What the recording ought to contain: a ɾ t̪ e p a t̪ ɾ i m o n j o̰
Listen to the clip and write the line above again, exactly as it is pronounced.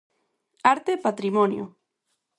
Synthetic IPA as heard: a ɾ t̪ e p a t̪ ɾ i m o n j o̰